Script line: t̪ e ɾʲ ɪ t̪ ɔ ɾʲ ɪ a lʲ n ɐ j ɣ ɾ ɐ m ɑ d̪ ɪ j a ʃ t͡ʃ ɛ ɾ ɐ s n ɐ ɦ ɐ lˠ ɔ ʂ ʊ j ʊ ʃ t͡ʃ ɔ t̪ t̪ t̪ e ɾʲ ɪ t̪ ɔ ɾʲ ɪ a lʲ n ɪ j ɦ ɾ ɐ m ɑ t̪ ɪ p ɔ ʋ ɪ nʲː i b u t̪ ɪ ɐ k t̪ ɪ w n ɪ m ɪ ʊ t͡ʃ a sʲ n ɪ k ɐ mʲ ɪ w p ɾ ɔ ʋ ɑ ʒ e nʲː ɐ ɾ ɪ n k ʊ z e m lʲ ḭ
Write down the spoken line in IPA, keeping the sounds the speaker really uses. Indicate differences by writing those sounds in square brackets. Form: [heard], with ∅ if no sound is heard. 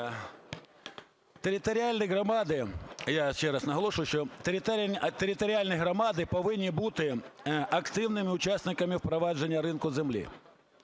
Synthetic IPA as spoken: t̪ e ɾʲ ɪ t̪ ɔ ɾʲ ɪ a lʲ n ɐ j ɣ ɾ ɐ m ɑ d̪ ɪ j a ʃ t͡ʃ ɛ ɾ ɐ s n ɐ ɦ ɐ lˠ ɔ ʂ ʊ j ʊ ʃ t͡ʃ ɔ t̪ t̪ t̪ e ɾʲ ɪ t̪ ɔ ɾʲ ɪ a lʲ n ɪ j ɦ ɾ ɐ m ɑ [d̪] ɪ p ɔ ʋ ɪ nʲː i b u t̪ ɪ ɐ k t̪ ɪ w n ɪ m ɪ ʊ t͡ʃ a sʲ n ɪ k ɐ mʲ ɪ w p ɾ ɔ ʋ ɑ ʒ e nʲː ɐ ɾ ɪ n k ʊ z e m lʲ ḭ